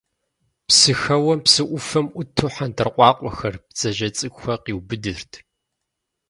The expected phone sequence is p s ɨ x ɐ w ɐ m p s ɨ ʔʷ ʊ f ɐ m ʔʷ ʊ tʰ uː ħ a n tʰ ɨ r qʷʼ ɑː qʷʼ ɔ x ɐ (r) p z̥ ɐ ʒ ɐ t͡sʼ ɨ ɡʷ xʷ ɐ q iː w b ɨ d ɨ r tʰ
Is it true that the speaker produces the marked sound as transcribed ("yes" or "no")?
yes